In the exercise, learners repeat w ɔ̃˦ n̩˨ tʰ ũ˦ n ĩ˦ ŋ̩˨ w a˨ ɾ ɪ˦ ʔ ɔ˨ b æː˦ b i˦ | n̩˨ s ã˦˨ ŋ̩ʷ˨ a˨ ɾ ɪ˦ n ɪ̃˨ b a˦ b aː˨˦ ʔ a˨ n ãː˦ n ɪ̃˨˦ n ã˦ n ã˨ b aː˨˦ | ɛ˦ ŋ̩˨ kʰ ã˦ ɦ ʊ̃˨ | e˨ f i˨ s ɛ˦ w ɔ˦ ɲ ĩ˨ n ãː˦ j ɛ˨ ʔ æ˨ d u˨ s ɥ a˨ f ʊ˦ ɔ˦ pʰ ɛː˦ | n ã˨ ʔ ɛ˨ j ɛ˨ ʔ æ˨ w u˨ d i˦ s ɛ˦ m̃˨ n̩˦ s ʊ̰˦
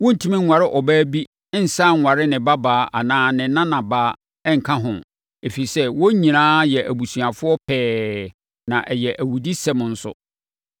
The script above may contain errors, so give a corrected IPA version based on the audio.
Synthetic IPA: w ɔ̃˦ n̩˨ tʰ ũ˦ m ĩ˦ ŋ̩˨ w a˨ ɾ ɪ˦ ʔ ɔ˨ b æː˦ b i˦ | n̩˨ s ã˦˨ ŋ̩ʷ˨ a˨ ɾ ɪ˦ n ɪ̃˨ b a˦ b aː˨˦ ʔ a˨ n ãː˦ n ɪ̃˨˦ n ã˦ n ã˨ b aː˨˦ | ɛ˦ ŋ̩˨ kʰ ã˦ ɦ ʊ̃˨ | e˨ f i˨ s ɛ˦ w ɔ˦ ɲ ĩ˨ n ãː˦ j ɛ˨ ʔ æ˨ b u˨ s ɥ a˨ f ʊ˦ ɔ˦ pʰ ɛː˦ | n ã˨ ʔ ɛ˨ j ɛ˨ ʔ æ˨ w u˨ d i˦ s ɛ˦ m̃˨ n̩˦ s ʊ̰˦